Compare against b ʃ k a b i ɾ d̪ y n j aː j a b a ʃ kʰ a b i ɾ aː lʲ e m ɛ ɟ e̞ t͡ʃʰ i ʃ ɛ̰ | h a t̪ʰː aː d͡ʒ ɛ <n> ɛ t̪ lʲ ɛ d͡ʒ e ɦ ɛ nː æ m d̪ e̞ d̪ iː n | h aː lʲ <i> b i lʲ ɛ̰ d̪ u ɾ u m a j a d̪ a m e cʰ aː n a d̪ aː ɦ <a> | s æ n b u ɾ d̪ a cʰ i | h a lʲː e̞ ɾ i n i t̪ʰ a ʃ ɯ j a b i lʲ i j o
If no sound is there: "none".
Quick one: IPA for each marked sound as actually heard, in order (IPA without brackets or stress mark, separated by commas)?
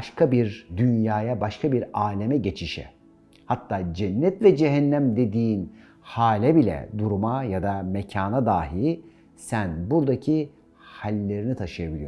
nː, ɛ, i